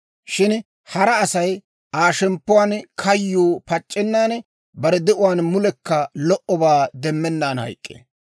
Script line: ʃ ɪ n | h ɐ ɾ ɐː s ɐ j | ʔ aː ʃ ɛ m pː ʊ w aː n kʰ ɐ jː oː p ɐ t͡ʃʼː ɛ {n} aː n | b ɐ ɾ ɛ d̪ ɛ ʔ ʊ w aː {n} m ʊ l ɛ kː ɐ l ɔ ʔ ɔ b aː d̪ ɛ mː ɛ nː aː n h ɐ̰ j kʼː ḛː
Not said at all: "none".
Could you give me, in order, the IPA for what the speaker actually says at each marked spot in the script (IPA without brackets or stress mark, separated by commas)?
nː, n